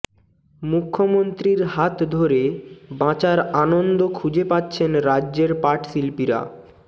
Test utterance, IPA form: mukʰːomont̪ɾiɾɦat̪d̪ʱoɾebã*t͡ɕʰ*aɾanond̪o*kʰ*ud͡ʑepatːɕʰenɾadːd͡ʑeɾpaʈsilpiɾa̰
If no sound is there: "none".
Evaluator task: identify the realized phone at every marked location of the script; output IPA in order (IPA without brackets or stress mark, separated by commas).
t͡ɕ, kʰ